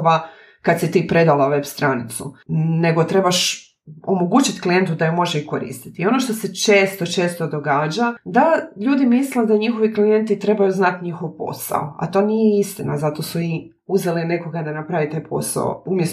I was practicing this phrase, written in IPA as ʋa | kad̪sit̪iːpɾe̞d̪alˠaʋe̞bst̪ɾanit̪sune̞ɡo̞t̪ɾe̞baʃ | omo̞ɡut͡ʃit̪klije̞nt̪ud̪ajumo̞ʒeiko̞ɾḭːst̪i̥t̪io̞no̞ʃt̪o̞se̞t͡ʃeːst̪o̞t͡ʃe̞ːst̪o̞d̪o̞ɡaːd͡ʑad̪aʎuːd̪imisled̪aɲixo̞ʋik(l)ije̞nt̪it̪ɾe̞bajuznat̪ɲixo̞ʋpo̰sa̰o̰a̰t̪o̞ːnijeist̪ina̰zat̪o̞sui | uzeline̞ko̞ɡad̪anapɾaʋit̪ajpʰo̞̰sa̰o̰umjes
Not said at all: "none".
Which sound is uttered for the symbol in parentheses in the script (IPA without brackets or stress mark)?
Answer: l